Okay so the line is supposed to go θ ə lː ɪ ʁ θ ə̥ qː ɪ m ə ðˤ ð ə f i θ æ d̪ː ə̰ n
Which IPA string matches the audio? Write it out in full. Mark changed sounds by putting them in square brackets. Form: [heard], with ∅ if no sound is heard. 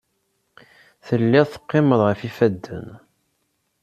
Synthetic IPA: θ ə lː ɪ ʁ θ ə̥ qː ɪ m ə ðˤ [ʁ] ə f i [f] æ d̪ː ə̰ n